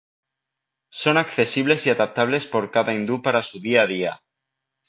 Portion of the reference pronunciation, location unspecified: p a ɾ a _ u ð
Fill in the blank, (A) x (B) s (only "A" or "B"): B